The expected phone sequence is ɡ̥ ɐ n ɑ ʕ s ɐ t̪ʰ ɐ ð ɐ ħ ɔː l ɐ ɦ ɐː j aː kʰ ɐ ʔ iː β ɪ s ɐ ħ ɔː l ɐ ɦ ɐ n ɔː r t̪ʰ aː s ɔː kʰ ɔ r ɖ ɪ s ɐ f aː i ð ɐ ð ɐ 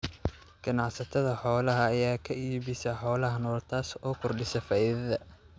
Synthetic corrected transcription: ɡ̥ ɐ n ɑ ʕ s ɐ t̪ʰ ɐ ð ɐ ħ ɔː l ɐ ɦ ɐː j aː kʰ ɐ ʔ iː β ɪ s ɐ ħ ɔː l ɐ ɦ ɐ n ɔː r t̪ʰ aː s ɔː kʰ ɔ r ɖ ɪ s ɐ f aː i ð ɐ ð ɐ